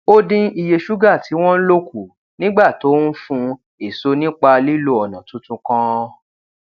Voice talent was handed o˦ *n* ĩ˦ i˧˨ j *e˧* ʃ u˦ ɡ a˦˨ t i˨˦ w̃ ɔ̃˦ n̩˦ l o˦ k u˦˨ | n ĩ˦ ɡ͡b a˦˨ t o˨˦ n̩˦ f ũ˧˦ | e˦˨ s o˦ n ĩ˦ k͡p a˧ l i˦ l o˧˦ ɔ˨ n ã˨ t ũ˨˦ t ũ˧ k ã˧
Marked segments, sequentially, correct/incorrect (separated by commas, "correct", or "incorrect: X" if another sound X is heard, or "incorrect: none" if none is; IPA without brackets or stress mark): incorrect: d, correct